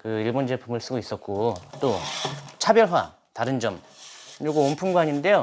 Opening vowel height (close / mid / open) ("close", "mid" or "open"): close